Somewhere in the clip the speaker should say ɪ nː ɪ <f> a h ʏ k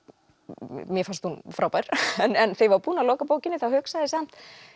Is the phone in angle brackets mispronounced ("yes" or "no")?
yes